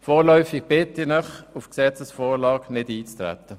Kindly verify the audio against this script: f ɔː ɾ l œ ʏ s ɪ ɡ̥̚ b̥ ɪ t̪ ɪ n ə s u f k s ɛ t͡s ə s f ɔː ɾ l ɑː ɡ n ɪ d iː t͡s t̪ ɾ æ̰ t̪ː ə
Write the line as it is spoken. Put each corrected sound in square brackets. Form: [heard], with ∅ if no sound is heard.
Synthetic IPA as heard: f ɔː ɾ l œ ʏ [f] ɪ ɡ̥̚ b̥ ɪ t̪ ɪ n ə [χ] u f k s ɛ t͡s ə s f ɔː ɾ l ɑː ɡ n ɪ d iː t͡s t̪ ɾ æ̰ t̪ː ə